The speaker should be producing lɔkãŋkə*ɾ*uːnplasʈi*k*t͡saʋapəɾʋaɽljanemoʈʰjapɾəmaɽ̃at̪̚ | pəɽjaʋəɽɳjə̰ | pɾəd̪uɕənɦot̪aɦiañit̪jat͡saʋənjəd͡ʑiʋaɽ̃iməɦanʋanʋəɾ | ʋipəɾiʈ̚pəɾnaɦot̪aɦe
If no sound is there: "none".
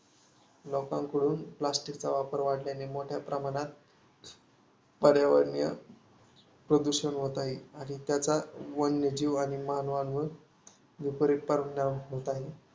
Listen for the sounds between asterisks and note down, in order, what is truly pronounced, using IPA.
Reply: ɽ, k

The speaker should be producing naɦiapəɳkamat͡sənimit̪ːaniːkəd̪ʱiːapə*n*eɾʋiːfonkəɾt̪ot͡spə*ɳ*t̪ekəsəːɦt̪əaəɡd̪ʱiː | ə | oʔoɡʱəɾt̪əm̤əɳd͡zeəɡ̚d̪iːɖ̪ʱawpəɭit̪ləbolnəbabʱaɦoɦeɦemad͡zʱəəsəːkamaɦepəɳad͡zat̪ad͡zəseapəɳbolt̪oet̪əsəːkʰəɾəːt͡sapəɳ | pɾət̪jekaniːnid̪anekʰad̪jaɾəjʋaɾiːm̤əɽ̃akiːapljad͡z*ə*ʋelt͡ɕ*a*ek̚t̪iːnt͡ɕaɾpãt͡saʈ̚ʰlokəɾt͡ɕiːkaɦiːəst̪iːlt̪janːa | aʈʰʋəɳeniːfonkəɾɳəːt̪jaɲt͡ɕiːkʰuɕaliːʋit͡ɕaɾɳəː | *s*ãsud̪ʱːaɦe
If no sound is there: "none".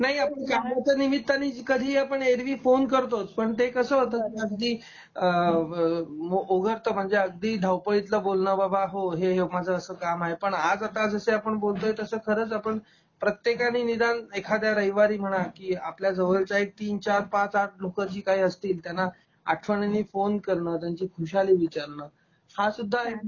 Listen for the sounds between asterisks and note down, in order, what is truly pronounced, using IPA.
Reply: ɳ, ɳ, ə, a, h

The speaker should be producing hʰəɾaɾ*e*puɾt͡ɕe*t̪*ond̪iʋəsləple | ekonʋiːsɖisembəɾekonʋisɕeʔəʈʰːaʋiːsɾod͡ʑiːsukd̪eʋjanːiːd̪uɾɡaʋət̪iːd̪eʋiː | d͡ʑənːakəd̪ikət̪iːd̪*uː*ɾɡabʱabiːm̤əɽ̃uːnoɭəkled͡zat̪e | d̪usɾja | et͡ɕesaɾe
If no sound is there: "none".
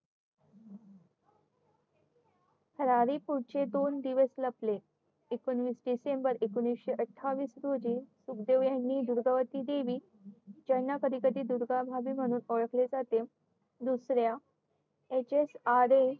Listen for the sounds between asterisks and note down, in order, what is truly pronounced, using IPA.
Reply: i, d̪, u

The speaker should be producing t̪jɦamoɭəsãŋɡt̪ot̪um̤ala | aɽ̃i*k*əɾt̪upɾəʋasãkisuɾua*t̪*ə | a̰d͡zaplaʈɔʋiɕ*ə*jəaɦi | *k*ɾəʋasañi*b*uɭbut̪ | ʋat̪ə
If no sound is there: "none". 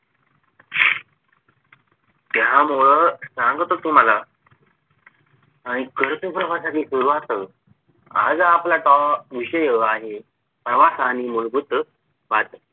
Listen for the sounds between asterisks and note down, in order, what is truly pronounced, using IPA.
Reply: k, t̪, ə, p, m

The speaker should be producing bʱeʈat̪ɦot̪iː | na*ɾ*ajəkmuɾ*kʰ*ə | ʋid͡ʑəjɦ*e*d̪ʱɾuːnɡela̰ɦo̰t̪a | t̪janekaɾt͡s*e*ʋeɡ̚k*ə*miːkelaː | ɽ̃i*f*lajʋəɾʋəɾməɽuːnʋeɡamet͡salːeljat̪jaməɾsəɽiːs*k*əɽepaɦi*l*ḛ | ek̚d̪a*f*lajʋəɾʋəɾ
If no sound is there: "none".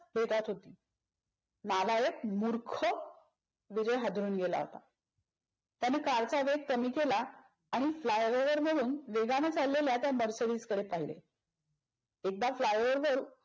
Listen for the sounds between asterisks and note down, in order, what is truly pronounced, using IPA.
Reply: l, kʰ, a, a, ə, f, k, l, f

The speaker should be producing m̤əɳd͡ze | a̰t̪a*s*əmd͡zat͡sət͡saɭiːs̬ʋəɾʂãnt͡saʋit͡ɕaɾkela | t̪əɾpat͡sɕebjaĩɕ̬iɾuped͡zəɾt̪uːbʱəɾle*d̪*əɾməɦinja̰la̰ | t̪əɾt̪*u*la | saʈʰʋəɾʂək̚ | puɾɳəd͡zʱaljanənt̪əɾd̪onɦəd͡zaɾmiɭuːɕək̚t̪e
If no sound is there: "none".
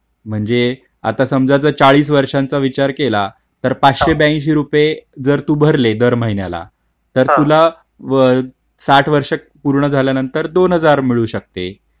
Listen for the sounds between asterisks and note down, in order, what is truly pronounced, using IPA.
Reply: s, d̪, u

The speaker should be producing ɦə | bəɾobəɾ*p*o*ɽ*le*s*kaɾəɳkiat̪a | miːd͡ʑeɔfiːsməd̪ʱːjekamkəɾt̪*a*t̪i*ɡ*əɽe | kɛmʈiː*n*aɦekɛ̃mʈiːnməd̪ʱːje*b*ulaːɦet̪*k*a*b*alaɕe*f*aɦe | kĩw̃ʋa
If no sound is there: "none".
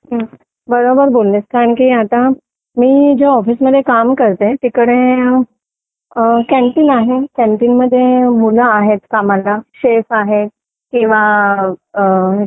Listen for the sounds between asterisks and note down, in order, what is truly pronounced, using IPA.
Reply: b, l, s, e, k, n, m, k, m, f

